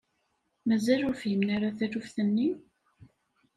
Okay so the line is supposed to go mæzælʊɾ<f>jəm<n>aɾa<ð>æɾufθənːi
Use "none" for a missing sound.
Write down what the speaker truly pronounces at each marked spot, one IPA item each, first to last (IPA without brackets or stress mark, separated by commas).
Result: f, n, θ